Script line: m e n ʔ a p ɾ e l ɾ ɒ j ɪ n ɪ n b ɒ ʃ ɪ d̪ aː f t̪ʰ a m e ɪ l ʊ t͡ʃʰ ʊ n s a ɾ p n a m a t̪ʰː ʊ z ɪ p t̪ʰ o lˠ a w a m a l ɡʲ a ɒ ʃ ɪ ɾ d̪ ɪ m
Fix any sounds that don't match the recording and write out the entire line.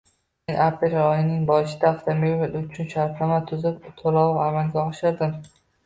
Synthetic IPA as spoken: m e n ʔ a p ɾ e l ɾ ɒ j ɪ n ɪ ŋ b ɒ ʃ ɪ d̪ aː f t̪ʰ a m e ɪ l ʊ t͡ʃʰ ʊ n ʃ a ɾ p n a m a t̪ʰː ʊ z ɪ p t̪ʰ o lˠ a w a m a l ɡʲ a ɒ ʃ ɪ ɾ d̪ ɪ m